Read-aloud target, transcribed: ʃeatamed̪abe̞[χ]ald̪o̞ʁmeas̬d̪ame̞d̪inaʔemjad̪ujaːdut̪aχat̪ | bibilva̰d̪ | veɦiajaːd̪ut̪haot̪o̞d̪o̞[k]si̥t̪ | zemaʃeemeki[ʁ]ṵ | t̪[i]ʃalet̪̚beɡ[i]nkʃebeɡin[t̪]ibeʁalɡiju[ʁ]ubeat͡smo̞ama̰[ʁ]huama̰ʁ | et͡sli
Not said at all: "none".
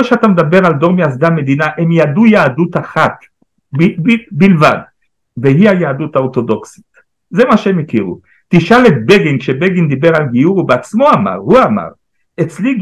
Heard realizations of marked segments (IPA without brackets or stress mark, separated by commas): ʁ, k, ʁ, i, i, d̪, ʁ, ʁ